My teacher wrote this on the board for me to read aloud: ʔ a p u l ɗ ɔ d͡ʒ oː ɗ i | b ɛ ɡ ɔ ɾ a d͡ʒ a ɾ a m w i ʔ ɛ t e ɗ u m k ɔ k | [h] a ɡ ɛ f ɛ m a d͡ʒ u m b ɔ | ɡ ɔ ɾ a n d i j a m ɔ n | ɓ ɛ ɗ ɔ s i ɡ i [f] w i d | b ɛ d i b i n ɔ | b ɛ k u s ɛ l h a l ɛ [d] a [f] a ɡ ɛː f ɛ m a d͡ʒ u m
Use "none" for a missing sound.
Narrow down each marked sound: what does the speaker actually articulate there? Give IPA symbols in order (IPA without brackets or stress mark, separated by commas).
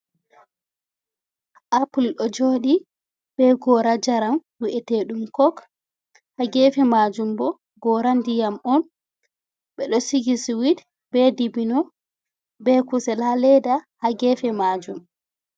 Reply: h, s, d, h